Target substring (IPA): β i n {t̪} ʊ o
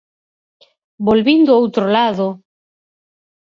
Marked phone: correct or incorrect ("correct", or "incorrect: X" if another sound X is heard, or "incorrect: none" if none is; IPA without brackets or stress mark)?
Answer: incorrect: d̪